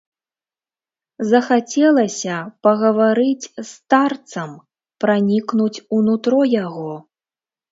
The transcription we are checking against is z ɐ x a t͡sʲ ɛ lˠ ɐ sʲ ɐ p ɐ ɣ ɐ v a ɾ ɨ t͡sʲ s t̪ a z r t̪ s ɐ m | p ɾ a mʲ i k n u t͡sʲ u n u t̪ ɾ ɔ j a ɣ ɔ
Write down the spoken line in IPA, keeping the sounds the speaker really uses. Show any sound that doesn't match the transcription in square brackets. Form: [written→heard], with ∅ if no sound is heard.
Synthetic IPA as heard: z ɐ x a t͡sʲ ɛ lˠ ɐ sʲ ɐ p ɐ ɣ ɐ v a ɾ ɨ t͡sʲ s t̪ a [z→∅] r t̪ s ɐ m | p ɾ a [mʲ→nʲ] i k n u t͡sʲ u n u t̪ ɾ ɔ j a ɣ ɔ